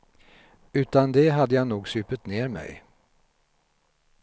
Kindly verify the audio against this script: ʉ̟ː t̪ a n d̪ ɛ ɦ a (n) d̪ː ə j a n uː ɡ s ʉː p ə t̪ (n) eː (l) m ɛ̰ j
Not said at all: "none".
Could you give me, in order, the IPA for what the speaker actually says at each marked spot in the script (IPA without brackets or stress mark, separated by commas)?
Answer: none, n, ɾ